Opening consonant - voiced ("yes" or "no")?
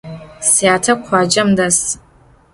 no